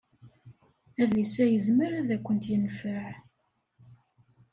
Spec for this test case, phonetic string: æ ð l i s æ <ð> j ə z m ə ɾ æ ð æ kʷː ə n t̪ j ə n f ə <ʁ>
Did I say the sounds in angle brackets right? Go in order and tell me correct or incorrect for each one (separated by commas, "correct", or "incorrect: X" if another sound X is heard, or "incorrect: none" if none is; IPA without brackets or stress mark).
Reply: incorrect: none, incorrect: ʕ